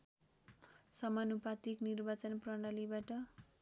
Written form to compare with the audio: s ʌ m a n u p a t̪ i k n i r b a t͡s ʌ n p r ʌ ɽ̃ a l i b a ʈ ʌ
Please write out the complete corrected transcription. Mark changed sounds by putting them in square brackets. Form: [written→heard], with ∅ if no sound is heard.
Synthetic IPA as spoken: s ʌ m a n u p a t̪ i k n i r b a t͡s ʌ n p r ʌ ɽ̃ a l i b a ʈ ʌ